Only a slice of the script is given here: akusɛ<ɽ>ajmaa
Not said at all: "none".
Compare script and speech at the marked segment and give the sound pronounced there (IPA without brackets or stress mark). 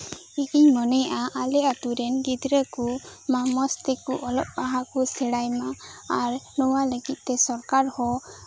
ɽ